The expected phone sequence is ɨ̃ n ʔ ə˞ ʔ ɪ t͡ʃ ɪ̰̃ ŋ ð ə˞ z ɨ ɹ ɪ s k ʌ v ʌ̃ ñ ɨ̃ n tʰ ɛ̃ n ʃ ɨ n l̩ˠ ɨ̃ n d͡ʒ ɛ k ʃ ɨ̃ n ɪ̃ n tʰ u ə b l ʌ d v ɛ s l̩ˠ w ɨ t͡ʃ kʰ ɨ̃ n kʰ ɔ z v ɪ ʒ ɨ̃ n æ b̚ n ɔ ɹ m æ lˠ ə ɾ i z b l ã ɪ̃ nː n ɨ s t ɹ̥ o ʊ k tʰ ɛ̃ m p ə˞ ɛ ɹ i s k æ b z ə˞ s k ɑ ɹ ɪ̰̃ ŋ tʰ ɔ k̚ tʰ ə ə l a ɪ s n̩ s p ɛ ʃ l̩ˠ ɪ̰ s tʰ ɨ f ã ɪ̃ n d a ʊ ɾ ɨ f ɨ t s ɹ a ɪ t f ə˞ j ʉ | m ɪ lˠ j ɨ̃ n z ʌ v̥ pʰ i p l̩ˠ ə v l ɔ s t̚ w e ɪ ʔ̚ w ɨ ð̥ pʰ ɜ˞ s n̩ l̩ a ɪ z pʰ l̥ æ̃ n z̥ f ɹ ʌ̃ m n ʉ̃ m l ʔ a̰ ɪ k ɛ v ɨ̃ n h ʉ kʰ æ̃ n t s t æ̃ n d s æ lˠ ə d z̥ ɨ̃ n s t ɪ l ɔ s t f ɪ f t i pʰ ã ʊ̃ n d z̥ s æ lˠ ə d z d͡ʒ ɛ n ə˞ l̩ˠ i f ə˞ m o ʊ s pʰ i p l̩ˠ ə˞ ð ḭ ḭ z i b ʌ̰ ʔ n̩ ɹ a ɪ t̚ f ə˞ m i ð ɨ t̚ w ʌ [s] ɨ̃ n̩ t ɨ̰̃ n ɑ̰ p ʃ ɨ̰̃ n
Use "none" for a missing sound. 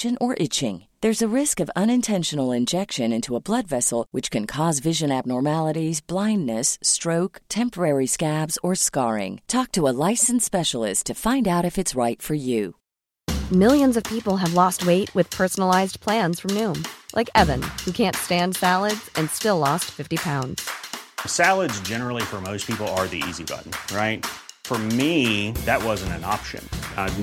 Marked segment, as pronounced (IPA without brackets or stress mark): z